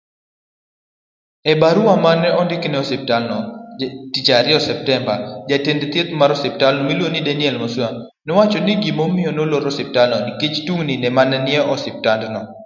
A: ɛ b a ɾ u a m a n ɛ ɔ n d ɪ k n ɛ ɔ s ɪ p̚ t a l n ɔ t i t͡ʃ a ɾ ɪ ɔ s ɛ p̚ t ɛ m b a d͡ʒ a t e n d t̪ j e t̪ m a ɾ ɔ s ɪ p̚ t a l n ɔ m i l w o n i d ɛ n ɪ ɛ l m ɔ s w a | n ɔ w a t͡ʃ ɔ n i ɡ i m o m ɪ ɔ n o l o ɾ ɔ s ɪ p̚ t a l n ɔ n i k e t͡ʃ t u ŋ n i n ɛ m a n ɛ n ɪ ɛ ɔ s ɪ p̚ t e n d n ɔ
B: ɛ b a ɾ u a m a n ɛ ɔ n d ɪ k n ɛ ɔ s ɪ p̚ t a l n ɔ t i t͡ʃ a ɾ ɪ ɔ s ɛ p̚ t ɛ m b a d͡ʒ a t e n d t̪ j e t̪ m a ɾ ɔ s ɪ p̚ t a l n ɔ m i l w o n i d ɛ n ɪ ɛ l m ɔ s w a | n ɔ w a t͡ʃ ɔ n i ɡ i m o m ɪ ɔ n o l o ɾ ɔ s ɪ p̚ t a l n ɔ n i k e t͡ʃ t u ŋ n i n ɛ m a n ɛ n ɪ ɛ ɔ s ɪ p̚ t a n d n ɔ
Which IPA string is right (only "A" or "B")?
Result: B